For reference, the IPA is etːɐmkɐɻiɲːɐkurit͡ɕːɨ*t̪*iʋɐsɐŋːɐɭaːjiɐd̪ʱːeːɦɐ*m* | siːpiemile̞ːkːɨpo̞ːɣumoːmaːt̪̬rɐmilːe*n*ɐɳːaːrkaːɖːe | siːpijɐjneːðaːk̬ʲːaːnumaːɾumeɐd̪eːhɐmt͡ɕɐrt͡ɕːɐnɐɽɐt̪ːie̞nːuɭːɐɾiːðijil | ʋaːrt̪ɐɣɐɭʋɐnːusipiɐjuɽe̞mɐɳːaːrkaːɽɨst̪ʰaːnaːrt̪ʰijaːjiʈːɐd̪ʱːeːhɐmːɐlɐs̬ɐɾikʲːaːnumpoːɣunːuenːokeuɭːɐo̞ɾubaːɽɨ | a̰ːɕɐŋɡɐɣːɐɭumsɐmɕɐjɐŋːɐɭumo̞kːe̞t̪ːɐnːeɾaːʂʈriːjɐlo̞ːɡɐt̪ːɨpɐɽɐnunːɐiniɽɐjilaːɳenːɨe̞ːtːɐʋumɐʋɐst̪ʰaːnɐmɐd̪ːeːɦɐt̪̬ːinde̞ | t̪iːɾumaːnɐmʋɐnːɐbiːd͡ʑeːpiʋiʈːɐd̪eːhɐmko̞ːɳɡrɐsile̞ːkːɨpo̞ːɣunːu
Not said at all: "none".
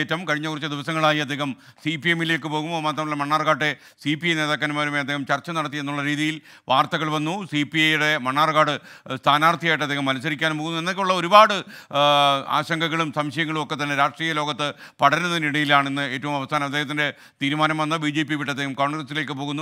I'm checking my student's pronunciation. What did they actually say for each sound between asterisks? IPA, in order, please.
d̪, m, m

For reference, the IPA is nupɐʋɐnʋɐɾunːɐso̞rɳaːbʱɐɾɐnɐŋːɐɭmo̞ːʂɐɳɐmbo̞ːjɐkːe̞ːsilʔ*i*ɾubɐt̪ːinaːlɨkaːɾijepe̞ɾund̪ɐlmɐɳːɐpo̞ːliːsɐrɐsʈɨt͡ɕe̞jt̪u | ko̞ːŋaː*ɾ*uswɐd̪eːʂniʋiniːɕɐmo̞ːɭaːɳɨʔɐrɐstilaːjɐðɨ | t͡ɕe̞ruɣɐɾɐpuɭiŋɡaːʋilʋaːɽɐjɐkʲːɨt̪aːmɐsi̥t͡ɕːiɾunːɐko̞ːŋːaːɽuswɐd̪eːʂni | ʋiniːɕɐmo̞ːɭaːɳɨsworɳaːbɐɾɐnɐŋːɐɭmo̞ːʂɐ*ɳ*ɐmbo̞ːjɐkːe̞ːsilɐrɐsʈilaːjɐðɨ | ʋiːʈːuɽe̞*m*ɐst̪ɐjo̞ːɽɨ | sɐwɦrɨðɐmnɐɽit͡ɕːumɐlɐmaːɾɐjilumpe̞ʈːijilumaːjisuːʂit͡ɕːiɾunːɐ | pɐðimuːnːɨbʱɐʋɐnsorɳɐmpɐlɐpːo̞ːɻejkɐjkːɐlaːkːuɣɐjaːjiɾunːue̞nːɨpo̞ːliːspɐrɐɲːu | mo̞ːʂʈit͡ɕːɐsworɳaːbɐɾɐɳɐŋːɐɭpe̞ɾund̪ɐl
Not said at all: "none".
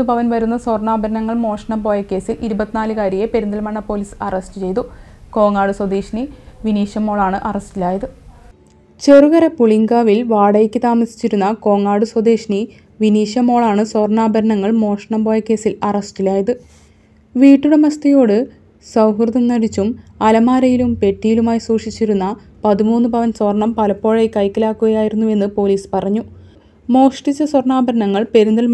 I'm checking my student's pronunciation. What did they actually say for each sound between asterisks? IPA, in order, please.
i, ɽ, ɳ, m

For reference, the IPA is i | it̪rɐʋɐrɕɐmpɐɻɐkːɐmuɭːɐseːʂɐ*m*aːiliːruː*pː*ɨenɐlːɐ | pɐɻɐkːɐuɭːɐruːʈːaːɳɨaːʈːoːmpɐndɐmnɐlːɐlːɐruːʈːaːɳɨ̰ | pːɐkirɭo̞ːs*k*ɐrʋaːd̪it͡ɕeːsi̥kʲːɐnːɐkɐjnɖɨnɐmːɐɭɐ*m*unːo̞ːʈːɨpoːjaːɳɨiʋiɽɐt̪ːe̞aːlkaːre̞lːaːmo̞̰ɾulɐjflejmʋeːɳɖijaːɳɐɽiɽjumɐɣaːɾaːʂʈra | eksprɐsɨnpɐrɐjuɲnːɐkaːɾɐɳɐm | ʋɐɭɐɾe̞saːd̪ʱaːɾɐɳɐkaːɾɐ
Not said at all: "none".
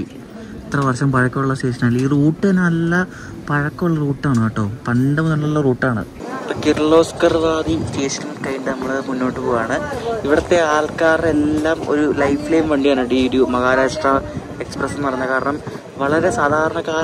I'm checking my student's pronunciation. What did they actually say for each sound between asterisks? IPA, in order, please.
n, ʈː, k, m

